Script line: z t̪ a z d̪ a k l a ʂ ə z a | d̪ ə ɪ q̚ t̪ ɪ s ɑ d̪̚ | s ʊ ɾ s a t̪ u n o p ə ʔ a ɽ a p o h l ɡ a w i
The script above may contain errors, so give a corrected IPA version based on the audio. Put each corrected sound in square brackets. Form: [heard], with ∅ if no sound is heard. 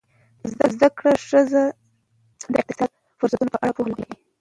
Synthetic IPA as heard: z [d̪] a z d̪ a k [ɽ] a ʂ ə z a | d̪ ə ɪ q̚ t̪ ɪ s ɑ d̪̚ | [f] ʊ ɾ s a t̪ u n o p ə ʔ a ɽ a p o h l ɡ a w i